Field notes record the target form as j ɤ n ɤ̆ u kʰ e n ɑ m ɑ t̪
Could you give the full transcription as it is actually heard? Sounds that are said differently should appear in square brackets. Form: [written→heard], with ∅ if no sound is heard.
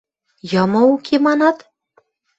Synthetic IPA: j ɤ [n→m] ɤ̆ u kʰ e [n→m] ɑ [m→n] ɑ t̪